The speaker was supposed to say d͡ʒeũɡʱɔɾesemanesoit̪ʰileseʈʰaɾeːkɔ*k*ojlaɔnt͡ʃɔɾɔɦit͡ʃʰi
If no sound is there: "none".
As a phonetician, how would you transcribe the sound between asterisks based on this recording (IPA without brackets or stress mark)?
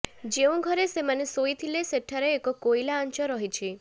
k